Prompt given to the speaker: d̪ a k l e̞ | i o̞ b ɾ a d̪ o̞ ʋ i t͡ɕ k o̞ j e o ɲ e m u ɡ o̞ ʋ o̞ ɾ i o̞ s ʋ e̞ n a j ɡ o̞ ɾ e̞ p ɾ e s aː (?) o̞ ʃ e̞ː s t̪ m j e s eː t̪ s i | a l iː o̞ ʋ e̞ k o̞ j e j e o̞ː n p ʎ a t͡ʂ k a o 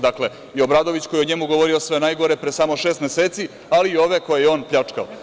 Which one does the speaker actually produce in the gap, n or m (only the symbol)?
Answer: m